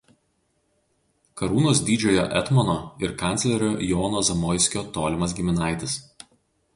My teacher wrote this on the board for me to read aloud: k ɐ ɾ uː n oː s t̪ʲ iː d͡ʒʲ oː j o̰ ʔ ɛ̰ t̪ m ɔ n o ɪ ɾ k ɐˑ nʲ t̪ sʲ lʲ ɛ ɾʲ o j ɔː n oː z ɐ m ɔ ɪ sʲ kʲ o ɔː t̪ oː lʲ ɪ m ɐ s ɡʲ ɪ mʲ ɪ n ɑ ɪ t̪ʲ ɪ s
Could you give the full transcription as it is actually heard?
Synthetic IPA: k ɐ ɾ uː n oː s d̪ʲ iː d͡ʒʲ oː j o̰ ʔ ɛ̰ t̪ m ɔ n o ɪ ɾ k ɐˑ nʲ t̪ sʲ lʲ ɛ ɾʲ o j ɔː n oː z ɐ m ɔ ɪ sʲ kʲ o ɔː t̪ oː lʲ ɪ m ɐ s ɡʲ ɪ mʲ ɪ n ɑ ɪ t̪ʲ ɪ s

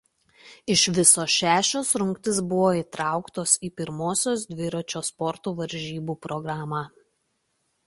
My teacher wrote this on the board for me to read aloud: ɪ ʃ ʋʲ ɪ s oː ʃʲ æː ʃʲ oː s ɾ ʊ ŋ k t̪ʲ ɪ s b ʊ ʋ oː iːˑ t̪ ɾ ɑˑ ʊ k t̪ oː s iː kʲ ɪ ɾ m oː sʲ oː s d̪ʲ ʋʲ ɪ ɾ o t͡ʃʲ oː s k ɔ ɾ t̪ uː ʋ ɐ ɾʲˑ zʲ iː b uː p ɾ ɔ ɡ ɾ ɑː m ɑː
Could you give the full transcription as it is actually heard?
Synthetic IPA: ɪ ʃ ʋʲ ɪ s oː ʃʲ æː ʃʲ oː s ɾ ʊ ŋ k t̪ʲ ɪ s b ʊ ʋ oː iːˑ t̪ ɾ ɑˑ ʊ k t̪ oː s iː pʲ ɪ ɾ m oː sʲ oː s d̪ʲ ʋʲ ɪ ɾ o t͡ʃʲ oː s p ɔ ɾ t̪ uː ʋ ɐ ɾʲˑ ʒʲ iː b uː p ɾ ɔ ɡ ɾ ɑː m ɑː

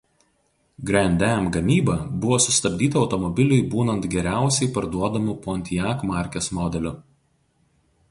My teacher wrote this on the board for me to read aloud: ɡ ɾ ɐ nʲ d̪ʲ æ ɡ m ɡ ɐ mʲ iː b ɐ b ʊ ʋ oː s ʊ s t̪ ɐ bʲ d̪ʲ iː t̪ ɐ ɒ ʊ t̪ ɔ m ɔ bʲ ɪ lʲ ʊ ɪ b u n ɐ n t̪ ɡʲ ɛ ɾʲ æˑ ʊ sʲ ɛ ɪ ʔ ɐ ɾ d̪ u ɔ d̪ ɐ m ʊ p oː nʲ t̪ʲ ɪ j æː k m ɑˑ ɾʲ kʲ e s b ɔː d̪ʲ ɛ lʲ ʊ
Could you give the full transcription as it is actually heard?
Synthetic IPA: ɡ ɾ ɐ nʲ d̪ʲ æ m ɡ ɐ mʲ iː b ɐ b ʊ ʋ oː s ʊ s t̪ ɐ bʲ d̪ʲ iː t̪ ɐ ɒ ʊ t̪ ɔ m ɔ bʲ ɪ lʲ ʊ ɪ b uː n ɐ n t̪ ɡʲ ɛ ɾʲ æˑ ʊ sʲ ɛ ɪ p ɐ ɾ d̪ u ɔ d̪ ɐ m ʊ p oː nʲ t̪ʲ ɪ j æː k m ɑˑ ɾʲ kʲ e s m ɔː d̪ʲ ɛ lʲ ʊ

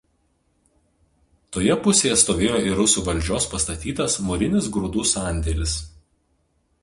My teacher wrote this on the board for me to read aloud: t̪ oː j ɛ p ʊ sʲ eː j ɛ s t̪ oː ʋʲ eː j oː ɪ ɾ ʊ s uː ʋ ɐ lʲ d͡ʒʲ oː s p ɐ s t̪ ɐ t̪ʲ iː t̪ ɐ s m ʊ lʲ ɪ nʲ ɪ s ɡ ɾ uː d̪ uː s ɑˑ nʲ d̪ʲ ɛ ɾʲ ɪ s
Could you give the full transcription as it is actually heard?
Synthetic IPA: t̪ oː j ɛ p ʊ sʲ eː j ɛ s t̪ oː ʋʲ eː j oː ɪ ɾ ʊ s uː ʋ ɐ lʲ d͡ʒʲ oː s p ɐ s t̪ ɐ t̪ʲ iː t̪ ɐ s m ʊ ɾʲ ɪ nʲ ɪ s ɡ ɾ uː d̪ uː s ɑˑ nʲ d̪ʲ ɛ lʲ ɪ s

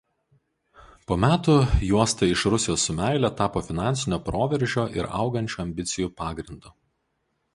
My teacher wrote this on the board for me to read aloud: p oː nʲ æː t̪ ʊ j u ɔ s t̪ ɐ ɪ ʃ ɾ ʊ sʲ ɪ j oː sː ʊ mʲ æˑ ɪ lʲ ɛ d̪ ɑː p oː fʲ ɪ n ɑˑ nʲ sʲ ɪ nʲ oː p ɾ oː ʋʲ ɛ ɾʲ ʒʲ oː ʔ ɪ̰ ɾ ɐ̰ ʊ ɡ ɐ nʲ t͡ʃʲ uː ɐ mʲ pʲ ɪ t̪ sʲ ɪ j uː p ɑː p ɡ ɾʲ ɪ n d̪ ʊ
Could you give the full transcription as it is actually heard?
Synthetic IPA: p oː mʲ æː t̪ ʊ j u ɔ s t̪ ɐ ɪ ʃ ɾ ʊ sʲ ɪ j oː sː ʊ mʲ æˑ ɪ lʲ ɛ t̪ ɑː p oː fʲ ɪ n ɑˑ nʲ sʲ ɪ nʲ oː p ɾ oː ʋʲ ɛ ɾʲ ʒʲ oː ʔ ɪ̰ ɾ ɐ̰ ʊ ɡ ɐ nʲ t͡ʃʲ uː ɐ mʲ bʲ ɪ t̪ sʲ ɪ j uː p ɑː ɡ ɾʲ ɪ n d̪ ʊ

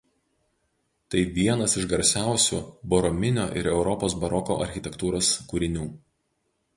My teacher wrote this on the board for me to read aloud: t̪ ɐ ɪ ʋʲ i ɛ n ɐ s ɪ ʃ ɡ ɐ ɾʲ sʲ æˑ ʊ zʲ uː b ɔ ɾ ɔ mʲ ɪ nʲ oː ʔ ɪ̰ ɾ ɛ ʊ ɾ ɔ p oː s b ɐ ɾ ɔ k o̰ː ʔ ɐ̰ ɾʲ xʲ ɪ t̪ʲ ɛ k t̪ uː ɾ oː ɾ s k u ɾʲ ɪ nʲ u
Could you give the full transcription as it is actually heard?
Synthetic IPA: t̪ ɐ ɪ ʋʲ i ɛ n ɐ s ɪ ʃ ɡ ɐ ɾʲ sʲ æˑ ʊ sʲ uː b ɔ ɾ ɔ mʲ ɪ nʲ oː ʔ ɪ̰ ɾ ɛ ʊ ɾ ɔ p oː s b ɐ ɾ ɔ k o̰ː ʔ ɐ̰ ɾʲ xʲ ɪ t̪ʲ ɛ k t̪ uː ɾ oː s k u ɾʲ ɪ nʲ uː

